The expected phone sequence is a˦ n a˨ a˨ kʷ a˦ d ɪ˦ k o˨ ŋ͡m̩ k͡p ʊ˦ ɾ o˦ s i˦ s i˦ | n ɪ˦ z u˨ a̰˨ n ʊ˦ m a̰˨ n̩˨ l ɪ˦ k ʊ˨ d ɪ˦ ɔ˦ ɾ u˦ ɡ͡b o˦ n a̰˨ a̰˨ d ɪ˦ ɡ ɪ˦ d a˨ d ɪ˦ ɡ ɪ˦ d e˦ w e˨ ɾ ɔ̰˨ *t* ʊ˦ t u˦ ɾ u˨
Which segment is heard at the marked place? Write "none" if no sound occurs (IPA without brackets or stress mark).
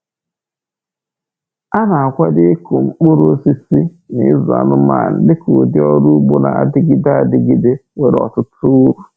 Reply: t